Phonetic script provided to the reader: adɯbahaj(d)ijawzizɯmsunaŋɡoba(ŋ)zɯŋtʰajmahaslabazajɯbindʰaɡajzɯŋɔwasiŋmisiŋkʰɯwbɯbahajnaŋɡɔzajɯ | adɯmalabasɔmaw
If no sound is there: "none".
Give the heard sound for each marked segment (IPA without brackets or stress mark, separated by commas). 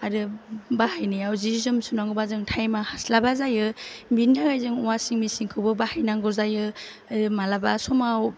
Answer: n, none